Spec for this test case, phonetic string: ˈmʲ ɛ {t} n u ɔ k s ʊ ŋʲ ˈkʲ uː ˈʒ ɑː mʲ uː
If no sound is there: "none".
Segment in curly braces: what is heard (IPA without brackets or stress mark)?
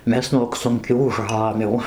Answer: s